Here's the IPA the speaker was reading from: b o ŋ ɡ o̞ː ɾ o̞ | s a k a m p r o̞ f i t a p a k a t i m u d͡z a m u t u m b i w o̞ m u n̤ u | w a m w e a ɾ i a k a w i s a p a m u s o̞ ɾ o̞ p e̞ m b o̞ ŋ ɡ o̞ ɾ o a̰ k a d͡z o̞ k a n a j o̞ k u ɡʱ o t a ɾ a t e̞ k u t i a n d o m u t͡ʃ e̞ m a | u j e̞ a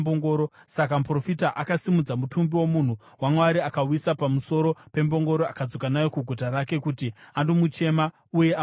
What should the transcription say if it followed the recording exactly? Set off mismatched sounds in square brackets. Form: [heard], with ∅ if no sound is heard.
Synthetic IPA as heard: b o ŋ ɡ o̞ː ɾ o̞ | s a k a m p r o̞ f i t a [ʔ] a k a [s] i m u d͡z a m u t u m b i w o̞ m u n̤ u | w a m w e a ɾ i a k a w i s a p a m u s o̞ ɾ o̞ p e̞ m b o̞ ŋ ɡ o̞ ɾ o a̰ k a d͡z o̞ k a n a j o̞ k u ɡʱ o t a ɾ a [k] e̞ k u t i a n d o m u t͡ʃ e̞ m a | u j e̞ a